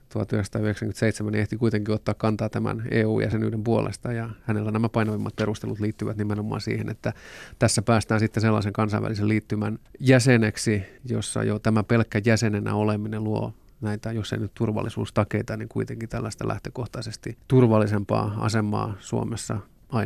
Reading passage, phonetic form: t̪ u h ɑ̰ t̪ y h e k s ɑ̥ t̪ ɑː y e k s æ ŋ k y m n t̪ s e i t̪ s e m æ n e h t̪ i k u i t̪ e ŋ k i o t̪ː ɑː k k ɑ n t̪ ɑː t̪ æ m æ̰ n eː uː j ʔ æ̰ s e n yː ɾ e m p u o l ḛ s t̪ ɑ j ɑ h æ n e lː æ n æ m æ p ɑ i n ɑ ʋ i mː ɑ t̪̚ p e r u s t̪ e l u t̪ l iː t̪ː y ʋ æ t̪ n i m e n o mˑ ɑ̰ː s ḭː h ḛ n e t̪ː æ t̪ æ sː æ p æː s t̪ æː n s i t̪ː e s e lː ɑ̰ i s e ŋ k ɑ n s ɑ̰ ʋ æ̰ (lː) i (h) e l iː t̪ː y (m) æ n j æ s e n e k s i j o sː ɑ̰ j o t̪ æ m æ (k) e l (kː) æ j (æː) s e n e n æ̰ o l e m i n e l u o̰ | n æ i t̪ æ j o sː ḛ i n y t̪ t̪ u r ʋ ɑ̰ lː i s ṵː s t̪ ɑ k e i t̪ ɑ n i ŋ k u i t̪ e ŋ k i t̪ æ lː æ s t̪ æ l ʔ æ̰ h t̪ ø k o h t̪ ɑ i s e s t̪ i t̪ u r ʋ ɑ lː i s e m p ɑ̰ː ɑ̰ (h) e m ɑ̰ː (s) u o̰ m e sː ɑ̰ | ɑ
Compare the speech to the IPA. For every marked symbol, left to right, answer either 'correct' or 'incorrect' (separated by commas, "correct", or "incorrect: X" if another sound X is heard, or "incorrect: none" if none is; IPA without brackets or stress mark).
incorrect: l, incorrect: s, correct, incorrect: p, correct, incorrect: æ, incorrect: s, correct